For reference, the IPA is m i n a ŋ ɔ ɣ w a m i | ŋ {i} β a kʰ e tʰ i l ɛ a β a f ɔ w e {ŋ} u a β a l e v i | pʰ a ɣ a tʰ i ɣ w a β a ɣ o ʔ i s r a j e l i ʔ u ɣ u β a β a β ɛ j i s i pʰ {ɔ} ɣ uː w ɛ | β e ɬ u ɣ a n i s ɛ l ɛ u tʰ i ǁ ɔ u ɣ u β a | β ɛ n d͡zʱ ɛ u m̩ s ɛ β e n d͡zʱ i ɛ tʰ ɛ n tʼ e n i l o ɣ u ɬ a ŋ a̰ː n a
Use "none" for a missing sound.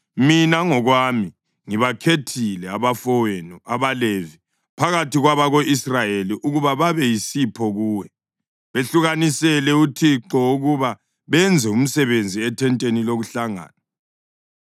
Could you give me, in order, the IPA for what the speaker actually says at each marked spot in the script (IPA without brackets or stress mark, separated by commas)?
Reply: i, n, ɔ